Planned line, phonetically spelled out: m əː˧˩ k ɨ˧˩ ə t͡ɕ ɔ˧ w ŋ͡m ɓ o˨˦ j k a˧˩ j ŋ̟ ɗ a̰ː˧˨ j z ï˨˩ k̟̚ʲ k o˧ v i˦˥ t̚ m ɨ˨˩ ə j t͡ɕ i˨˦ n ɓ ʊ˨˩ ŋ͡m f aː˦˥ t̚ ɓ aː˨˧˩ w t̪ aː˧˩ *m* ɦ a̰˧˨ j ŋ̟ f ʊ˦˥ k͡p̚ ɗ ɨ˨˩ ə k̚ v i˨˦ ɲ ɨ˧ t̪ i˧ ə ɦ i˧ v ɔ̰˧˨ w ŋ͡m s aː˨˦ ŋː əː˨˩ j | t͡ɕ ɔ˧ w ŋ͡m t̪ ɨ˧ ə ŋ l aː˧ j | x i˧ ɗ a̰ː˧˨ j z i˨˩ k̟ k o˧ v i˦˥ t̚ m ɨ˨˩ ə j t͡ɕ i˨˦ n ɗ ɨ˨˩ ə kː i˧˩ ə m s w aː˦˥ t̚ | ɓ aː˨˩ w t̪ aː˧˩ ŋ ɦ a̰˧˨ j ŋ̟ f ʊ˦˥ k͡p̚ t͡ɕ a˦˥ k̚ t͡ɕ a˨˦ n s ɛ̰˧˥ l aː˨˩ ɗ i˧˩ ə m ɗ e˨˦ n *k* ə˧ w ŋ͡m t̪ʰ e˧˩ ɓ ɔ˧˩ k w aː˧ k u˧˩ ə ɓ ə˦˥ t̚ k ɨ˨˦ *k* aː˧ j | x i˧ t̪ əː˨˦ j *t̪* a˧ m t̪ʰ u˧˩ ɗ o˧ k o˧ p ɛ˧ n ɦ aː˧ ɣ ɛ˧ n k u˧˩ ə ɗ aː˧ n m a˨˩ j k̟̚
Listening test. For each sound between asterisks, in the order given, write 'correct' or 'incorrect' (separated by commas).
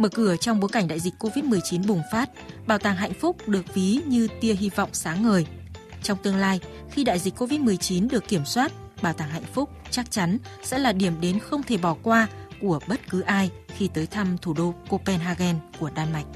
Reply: incorrect, incorrect, incorrect, incorrect